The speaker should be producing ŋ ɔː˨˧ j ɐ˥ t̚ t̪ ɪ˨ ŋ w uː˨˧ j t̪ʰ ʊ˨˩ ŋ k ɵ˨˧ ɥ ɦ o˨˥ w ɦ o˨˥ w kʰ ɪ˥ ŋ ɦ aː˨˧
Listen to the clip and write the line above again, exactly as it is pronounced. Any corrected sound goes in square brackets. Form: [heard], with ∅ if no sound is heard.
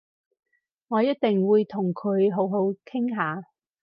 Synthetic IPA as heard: ŋ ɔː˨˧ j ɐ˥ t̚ t̪ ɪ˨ ŋ w uː˨˧ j t̪ʰ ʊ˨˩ ŋ [kʰ] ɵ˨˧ ɥ ɦ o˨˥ w ɦ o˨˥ w kʰ ɪ˥ ŋ ɦ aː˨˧